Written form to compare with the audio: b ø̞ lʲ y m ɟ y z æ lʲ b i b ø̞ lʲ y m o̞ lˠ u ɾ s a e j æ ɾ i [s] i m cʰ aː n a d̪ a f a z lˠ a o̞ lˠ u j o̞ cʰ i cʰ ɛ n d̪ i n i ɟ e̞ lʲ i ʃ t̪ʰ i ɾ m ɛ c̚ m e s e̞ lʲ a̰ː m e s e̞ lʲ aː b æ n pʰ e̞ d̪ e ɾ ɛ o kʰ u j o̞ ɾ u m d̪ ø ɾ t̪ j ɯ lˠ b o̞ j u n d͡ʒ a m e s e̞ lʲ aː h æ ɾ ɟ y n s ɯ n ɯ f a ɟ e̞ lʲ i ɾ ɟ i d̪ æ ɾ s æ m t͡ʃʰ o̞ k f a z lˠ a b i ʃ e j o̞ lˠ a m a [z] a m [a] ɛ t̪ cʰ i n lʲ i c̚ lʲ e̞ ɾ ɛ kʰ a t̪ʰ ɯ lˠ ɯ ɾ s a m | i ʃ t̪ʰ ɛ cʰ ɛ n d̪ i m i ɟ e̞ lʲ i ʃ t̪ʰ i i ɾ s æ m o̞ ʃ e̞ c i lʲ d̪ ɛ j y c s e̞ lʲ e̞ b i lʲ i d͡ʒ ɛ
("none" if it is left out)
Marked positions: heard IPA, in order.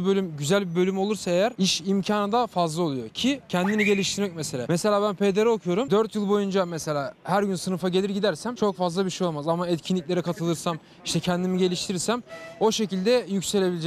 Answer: ʃ, z, a

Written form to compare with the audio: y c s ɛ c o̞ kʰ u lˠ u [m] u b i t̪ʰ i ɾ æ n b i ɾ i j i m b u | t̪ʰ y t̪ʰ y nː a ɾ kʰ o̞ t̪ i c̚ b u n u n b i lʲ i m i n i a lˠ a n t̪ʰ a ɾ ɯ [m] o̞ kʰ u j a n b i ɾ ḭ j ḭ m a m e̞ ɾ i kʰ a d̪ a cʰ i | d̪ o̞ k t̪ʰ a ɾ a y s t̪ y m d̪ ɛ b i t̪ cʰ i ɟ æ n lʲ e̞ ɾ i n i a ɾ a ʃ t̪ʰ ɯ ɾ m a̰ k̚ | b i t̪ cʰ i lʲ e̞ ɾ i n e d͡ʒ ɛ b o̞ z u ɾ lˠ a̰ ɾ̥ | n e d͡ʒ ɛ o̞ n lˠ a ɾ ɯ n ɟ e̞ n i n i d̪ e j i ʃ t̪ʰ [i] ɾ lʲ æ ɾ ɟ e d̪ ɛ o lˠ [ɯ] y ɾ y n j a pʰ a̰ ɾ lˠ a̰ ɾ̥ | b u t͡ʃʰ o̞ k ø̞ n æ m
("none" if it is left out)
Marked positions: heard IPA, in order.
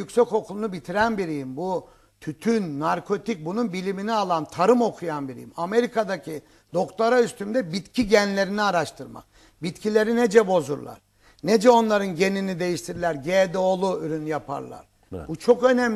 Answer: n, m, i, u

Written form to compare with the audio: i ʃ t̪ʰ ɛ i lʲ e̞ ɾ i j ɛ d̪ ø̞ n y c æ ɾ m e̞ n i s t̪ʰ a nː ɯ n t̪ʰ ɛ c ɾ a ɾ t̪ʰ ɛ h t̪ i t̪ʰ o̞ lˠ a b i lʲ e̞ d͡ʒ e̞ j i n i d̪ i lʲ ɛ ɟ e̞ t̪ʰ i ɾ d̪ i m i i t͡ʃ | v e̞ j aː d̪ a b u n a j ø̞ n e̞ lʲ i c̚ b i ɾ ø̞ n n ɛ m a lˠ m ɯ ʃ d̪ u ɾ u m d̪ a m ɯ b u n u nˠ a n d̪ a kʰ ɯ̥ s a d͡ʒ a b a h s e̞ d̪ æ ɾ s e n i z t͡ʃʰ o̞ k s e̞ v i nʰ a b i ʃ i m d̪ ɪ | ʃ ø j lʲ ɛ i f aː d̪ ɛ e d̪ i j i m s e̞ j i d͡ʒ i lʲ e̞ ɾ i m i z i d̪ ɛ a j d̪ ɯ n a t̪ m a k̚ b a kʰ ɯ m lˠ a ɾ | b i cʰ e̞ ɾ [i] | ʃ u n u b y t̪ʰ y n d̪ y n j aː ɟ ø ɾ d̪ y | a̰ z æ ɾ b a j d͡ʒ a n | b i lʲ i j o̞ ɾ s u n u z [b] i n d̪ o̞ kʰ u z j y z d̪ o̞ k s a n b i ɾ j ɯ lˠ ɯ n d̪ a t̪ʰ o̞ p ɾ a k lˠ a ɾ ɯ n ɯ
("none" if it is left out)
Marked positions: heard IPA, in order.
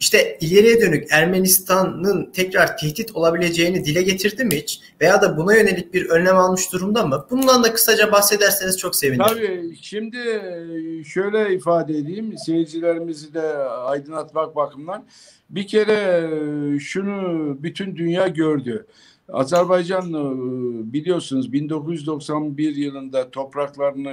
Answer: ɛ, b

